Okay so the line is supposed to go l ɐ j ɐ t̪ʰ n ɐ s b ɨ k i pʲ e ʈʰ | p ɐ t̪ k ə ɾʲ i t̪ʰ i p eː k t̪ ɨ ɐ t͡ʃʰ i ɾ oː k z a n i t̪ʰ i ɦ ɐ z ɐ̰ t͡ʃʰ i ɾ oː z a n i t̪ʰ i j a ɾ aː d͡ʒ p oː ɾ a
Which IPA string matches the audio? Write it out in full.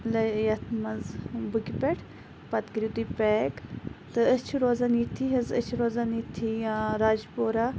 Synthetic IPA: l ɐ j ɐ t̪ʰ m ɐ z b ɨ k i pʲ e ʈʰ | p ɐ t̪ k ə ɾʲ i t̪ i p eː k t̪ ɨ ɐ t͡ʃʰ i ɾ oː z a n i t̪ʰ i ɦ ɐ z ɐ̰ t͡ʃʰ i ɾ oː z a n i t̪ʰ i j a ɾ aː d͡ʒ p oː ɾ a